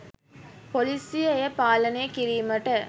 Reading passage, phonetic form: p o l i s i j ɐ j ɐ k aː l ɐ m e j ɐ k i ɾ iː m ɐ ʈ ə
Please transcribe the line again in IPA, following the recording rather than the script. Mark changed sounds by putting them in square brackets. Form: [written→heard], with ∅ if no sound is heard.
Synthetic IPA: p o l i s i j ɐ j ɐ [k→p] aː l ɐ [m→n] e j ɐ k i ɾ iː m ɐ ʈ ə